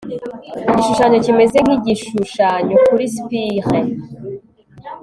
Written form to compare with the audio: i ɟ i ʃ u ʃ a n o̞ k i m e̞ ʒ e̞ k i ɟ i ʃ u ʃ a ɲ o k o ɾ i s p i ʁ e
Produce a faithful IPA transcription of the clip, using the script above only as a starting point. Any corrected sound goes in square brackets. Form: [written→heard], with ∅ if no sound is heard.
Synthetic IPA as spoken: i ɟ i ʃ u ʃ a [n→ɲ] o̞ [k→c] i m e̞ [ʒ→z] e̞ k i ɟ i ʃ u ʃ a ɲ o k [o→u] ɾ i s p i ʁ e